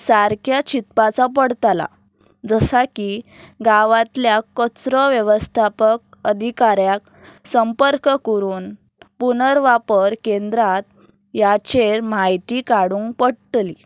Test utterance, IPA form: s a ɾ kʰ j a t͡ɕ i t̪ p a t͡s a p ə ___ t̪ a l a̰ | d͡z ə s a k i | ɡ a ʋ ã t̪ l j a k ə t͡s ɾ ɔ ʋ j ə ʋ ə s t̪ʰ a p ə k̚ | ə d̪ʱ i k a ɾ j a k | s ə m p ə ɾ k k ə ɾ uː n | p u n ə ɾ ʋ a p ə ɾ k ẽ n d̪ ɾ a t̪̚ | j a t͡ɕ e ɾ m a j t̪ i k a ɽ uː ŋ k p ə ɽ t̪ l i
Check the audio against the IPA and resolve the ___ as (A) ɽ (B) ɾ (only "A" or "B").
A